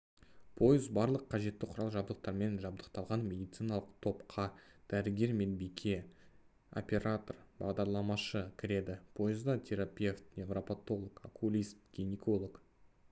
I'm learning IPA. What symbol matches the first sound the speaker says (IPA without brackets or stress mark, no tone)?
pʰ